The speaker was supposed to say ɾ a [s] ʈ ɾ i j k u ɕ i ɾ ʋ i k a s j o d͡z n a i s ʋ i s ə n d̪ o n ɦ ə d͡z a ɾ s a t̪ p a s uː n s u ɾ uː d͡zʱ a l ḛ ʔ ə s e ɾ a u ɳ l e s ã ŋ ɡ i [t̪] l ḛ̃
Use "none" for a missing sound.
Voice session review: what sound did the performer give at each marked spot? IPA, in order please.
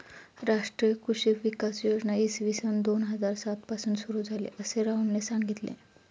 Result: ʂ, t̪

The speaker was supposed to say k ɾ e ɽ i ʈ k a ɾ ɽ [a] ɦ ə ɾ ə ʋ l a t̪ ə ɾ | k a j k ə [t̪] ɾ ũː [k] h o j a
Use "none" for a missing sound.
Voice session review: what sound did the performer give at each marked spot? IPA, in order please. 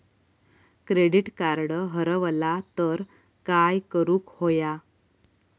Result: ə, none, k

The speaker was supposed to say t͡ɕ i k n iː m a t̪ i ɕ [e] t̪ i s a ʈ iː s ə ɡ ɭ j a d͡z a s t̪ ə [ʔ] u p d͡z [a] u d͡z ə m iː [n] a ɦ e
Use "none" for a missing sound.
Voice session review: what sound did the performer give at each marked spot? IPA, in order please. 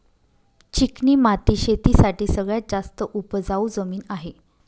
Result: e, ʔ, a, n

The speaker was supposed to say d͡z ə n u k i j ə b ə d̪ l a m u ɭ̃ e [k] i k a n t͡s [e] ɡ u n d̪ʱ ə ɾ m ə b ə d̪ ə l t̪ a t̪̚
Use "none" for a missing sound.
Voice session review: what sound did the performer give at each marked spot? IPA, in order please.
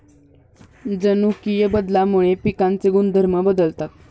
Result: p, e

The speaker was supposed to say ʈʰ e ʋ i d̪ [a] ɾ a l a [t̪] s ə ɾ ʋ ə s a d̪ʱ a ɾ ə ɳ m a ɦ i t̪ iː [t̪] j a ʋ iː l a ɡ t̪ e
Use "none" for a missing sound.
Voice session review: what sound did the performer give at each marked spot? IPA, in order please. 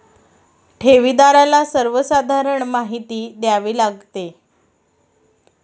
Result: a, none, d̪

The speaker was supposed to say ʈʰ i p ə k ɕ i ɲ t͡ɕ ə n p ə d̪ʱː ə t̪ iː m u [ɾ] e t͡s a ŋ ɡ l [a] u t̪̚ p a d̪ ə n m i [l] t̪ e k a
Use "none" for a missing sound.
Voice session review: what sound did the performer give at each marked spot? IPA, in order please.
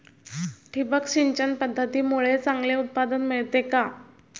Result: ɭ, e, ɭ

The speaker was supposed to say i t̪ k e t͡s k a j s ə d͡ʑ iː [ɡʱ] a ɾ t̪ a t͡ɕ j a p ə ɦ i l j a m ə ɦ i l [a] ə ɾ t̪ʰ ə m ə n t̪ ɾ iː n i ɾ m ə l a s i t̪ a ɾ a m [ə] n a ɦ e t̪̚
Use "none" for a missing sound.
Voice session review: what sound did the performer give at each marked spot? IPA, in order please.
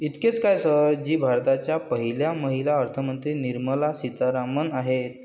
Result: bʱ, a, ə

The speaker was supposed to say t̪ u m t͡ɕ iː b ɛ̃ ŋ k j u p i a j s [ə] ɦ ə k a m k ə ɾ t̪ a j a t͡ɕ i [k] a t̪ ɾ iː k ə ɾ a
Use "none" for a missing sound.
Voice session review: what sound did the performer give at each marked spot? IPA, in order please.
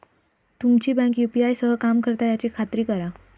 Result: ə, kʰ

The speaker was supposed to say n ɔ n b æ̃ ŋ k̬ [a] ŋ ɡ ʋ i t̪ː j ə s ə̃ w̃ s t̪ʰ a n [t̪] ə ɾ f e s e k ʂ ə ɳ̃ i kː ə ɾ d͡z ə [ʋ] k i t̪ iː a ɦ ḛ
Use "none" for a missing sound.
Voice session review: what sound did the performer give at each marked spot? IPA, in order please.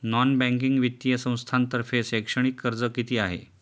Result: i, t̪, none

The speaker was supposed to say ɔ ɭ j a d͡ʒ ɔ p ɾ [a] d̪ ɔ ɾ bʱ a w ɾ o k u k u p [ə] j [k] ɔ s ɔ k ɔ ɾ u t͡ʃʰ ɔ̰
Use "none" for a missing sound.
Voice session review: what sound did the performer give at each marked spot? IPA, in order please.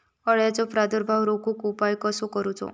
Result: a, a, k

